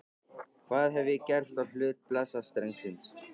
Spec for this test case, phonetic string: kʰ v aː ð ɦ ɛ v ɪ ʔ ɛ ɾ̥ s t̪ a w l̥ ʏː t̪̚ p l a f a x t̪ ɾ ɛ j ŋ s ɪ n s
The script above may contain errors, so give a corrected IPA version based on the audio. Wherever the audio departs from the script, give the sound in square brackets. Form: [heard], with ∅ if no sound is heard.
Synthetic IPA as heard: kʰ v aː ð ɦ ɛ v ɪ [c] ɛ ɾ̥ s t̪ a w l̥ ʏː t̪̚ p l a [s] a [s] t̪ ɾ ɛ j ŋ s ɪ n s